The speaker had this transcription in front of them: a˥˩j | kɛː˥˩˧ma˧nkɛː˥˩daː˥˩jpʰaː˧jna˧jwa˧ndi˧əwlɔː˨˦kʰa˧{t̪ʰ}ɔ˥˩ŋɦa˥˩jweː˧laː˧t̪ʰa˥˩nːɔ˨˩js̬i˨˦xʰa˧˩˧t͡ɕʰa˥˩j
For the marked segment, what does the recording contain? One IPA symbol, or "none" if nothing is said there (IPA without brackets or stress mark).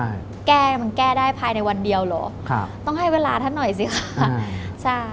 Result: t̪